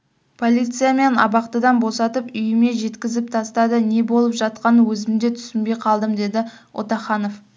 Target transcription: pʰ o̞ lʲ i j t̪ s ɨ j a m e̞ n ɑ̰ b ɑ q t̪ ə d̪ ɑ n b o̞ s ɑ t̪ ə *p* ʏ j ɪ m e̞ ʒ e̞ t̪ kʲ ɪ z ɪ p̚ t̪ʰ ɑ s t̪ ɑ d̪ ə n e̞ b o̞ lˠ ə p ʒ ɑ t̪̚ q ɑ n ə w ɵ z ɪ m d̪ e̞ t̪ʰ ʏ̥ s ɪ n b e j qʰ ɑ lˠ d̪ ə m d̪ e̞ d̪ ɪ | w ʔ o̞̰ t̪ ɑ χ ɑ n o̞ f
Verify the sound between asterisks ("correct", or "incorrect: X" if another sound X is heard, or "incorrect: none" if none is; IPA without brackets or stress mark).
correct